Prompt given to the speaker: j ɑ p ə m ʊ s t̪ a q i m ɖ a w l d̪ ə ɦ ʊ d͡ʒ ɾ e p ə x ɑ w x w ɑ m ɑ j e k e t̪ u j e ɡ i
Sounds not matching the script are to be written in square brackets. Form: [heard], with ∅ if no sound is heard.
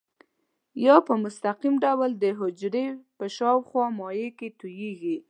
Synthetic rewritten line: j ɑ p ə m ʊ s t̪ a q i m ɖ a w l d̪ ə ɦ ʊ d͡ʒ ɾ e p ə [ʃ] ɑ w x w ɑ m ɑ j e k e t̪ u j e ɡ i